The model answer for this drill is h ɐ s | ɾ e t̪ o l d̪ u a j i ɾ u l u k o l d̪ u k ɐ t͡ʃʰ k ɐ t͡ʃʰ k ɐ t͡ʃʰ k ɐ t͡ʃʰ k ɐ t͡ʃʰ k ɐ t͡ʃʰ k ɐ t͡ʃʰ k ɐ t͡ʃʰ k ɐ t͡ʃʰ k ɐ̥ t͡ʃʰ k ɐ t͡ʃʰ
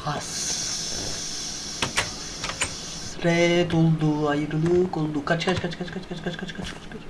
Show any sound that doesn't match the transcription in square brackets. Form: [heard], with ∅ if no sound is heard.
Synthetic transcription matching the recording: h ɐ s | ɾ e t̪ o l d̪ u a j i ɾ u l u k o l d̪ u k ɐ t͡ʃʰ k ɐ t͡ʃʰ k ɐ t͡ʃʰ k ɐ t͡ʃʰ k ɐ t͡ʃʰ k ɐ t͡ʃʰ k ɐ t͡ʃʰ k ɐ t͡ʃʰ k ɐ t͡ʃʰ k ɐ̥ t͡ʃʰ k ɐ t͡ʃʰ